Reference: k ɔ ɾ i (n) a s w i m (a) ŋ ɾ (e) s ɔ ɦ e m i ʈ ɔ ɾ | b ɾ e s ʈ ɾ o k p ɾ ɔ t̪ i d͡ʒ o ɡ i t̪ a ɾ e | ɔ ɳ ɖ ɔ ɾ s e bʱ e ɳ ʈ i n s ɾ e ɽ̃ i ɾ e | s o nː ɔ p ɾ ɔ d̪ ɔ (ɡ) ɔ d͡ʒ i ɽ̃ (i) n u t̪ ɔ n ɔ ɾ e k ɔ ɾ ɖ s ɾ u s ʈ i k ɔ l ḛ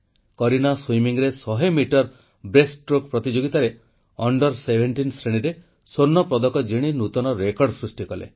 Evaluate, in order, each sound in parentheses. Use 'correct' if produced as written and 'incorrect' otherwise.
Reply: correct, incorrect: i, correct, incorrect: k, correct

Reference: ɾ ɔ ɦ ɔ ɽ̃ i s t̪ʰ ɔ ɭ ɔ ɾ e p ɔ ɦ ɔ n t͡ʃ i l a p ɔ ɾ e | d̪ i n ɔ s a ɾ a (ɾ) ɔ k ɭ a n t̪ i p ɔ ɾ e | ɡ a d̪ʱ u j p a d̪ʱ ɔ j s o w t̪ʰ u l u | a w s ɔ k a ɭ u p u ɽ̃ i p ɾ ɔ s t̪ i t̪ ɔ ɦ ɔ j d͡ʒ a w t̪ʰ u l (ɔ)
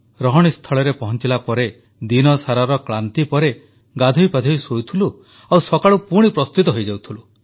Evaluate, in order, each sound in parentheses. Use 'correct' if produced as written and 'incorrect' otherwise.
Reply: correct, incorrect: u

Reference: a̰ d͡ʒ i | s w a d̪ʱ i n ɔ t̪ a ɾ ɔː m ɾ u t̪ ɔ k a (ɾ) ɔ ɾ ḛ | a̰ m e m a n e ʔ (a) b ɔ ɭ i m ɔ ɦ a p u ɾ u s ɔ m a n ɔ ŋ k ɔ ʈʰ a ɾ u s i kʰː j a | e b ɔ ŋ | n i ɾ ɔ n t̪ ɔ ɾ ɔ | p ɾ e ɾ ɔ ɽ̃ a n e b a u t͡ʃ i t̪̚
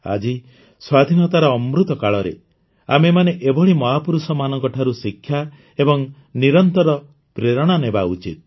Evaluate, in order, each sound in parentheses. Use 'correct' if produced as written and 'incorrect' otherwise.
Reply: incorrect: ɭ, incorrect: e

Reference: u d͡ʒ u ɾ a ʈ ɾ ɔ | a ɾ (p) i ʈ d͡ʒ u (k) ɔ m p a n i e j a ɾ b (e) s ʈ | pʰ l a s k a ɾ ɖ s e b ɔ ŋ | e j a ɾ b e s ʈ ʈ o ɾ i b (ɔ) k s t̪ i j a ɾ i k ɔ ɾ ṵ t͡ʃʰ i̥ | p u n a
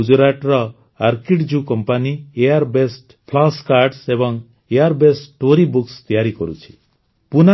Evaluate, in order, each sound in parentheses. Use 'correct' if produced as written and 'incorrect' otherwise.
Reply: incorrect: k, correct, correct, incorrect: u

